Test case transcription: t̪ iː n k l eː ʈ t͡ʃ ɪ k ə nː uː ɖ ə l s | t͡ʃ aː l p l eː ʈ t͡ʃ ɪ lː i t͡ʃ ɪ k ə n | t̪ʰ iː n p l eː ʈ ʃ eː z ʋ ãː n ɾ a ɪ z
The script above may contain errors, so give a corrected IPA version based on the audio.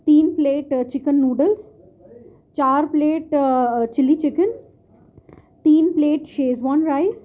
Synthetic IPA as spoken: t̪ iː n p l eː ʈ t͡ʃ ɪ k ə nː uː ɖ ə l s | t͡ʃ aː ɾ p l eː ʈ t͡ʃ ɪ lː i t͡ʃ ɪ k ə n | t̪ iː n p l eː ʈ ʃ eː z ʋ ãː n ɾ a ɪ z

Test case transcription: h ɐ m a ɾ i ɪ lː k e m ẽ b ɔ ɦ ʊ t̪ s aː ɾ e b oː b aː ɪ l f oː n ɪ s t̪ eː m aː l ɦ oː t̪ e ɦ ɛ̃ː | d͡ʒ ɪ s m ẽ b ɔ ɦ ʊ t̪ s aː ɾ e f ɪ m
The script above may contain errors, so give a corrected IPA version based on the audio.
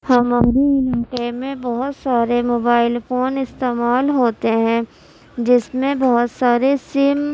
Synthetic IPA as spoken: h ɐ m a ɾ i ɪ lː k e m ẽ b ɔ ɦ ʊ t̪ s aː ɾ e m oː b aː ɪ l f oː n ɪ s t̪ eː m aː l ɦ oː t̪ e ɦ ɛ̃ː | d͡ʒ ɪ s m ẽ b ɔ ɦ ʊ t̪ s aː ɾ e s ɪ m

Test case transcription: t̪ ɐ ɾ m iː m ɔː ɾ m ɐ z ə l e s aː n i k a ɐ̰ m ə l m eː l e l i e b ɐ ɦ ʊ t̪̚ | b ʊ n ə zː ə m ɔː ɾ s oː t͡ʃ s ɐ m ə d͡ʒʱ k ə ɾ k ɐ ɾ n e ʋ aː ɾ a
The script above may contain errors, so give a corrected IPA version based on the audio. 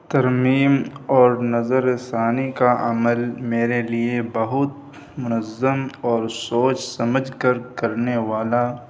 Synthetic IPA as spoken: t̪ ɐ ɾ m iː m ɔː ɾ n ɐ z ə ɾ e s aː n i k a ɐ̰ m ə l m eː ɾ e l i e b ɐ ɦ ʊ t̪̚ | m ʊ n ə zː ə m ɔː ɾ s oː t͡ʃ s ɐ m ə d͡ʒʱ k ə ɾ k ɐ ɾ n e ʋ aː l a

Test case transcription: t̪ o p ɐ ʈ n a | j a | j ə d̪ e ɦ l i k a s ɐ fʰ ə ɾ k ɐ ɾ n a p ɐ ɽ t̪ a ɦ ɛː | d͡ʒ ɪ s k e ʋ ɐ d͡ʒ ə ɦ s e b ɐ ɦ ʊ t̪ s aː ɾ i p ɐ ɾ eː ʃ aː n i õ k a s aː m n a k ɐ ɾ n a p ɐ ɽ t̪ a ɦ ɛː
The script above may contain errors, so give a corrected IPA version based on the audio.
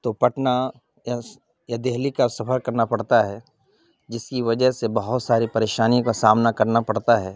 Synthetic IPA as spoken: t̪ o p ɐ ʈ n a | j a | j a d̪ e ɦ l i k a s ɐ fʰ ə ɾ k ɐ ɾ n a p ɐ ɽ t̪ a ɦ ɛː | d͡ʒ ɪ s k i ʋ ɐ d͡ʒ ə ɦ s e b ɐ ɦ ʊ t̪ s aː ɾ i p ɐ ɾ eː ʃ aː n i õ k a s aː m n a k ɐ ɾ n a p ɐ ɽ t̪ a ɦ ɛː

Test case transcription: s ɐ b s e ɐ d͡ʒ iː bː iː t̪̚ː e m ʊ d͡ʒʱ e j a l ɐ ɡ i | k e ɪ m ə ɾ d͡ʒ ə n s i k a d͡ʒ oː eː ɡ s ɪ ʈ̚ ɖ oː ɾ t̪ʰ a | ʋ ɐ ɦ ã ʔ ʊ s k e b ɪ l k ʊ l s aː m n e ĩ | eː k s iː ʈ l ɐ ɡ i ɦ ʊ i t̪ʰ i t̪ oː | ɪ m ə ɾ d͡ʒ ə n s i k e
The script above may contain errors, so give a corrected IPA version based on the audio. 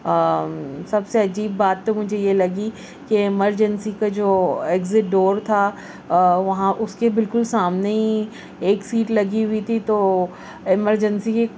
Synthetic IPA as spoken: s ɐ b s e ɐ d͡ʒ iː bː aː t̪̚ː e m ʊ d͡ʒʱ e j e l ɐ ɡ i | k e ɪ m ə ɾ d͡ʒ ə n s i k a d͡ʒ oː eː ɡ z ɪ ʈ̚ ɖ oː ɾ t̪ʰ a | ʋ ɐ ɦ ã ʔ ʊ s k e b ɪ l k ʊ l s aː m n e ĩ | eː k s iː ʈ l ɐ ɡ i ɦ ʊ i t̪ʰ i t̪ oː | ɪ m ə ɾ d͡ʒ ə n s i k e

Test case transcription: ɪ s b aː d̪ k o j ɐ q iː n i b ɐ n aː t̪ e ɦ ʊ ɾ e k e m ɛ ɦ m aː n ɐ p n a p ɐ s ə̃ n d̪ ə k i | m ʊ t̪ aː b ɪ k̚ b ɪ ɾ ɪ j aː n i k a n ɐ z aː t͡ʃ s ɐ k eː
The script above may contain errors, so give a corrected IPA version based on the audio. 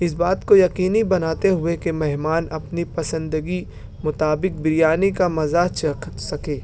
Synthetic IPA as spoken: ɪ s b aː t̪ k o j ɐ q iː n i b ɐ n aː t̪ e ɦ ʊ e k e m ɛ ɦ m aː n ɐ p n i p ɐ s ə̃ n d̪ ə ɡ i | m ʊ t̪ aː b ɪ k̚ b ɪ ɾ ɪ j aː n i k a m ɐ z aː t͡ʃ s ɐ k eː

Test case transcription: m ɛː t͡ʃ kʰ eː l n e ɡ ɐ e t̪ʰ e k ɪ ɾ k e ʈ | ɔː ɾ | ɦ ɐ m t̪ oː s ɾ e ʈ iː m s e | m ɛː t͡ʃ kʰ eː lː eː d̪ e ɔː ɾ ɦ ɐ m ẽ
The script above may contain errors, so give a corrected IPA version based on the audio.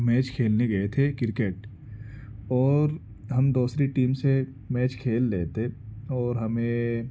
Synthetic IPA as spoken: m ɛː t͡ʃ kʰ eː l n e ɡ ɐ e t̪ʰ e k ɪ ɾ k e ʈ | ɔː ɾ | ɦ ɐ m d̪ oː s ɾ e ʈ iː m s e | m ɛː t͡ʃ kʰ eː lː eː t̪ e ɔː ɾ ɦ ɐ m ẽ

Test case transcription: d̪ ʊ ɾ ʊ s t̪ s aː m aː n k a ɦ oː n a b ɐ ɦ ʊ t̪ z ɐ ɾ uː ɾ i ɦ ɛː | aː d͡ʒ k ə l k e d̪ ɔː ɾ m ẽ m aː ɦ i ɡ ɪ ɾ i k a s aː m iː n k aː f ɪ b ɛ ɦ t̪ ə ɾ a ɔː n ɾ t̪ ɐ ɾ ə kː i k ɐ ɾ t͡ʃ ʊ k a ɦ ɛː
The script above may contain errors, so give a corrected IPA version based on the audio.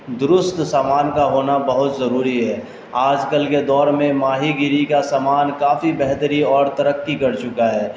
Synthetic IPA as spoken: d̪ ʊ ɾ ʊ s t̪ s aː m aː n k a ɦ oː n a b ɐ ɦ ʊ t̪ z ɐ ɾ uː ɾ i ɦ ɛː | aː d͡ʒ k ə l k e d̪ ɔː ɾ m ẽ m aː ɦ i ɡ ɪ ɾ i k a s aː m aː n k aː f i b ɛ ɦ t̪ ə ɾ i ɔː ɾ t̪ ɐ ɾ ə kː i k ɐ ɾ t͡ʃ ʊ k a ɦ ɛː

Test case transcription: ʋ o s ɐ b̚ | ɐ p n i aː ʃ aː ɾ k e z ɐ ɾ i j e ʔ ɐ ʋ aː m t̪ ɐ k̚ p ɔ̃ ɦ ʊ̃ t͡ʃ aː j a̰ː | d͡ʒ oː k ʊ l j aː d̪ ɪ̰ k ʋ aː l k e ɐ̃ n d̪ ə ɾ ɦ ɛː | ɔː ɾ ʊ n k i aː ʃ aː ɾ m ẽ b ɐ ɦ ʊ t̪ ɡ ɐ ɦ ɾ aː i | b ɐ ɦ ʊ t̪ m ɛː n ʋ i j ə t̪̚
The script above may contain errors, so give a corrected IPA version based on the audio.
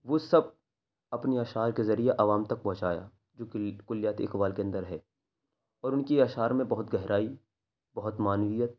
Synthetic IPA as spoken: ʋ o s ɐ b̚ | ɐ p n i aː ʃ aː ɾ k e z ɐ ɾ i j e ʔ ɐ ʋ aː m t̪ ɐ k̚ p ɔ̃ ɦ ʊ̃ t͡ʃ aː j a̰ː | d͡ʒ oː k ʊ l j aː t̪ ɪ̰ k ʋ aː l k e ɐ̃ n d̪ ə ɾ ɦ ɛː | ɔː ɾ ʊ n k i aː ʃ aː ɾ m ẽ b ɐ ɦ ʊ t̪ ɡ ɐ ɦ ɾ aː i | b ɐ ɦ ʊ t̪ m aː n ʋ i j ə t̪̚

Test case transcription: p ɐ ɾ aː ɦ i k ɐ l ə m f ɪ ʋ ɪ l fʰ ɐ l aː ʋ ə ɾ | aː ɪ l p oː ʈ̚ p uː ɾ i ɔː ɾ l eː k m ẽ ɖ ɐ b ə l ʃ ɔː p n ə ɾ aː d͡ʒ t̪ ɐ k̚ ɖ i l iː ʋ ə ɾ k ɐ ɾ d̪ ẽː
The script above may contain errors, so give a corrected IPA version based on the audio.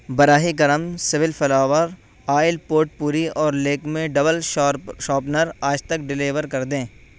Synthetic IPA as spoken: b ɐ ɾ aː ɦ i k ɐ ɾ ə m s ɪ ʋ ɪ l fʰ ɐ l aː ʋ ə ɾ | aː ɪ l p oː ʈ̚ p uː ɾ i ɔː ɾ l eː k m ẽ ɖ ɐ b ə l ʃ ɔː p n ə ɾ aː d͡ʒ t̪ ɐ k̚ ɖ ɪ l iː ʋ ə ɾ k ɐ ɾ d̪ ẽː

